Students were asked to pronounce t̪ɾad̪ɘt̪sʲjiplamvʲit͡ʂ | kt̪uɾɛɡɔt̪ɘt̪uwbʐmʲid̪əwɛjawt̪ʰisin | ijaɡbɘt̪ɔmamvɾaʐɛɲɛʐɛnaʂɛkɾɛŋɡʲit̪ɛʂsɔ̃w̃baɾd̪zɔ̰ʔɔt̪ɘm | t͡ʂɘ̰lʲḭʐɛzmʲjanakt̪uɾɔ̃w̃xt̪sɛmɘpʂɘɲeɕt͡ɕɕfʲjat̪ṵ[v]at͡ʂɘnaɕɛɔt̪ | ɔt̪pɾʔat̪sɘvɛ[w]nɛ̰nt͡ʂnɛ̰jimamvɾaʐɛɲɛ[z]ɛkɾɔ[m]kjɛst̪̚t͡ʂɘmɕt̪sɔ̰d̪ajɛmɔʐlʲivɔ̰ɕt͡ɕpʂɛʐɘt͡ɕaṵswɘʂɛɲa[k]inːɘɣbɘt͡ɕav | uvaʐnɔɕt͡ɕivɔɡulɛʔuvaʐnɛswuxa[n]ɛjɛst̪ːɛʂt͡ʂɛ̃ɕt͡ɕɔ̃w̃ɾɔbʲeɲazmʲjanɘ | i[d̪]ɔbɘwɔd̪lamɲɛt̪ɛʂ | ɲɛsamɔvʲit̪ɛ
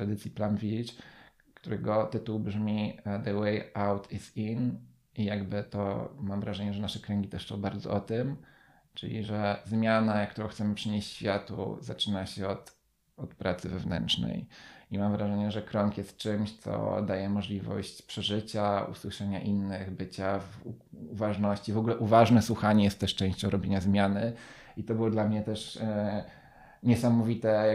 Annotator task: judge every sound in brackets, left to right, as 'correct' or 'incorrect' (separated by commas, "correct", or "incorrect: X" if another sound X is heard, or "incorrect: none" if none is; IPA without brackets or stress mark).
incorrect: z, incorrect: v, incorrect: ʐ, incorrect: ŋ, incorrect: ʔ, incorrect: ɲ, incorrect: t̪